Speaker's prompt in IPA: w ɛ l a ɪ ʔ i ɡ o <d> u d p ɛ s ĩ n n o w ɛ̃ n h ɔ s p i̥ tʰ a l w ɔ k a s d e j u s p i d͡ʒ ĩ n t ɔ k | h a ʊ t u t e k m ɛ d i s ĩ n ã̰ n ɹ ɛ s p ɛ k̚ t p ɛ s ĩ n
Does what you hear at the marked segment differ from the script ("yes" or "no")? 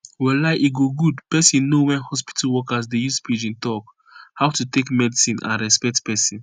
yes